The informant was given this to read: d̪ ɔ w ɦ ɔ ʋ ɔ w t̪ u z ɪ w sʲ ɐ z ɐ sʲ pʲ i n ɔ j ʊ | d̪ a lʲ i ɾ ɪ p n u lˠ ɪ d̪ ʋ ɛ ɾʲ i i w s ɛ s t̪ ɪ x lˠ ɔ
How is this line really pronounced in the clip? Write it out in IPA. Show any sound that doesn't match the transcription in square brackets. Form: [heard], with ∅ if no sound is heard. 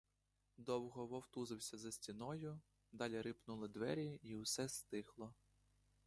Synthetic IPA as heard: d̪ ɔ w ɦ ɔ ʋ ɔ w t̪ u z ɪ w sʲ ɐ z ɐ sʲ [tʲ] i n ɔ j ʊ | d̪ [ɑ] lʲ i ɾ ɪ p n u lˠ ɪ d̪ ʋ ɛ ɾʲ i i w s ɛ s t̪ ɪ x lˠ ɔ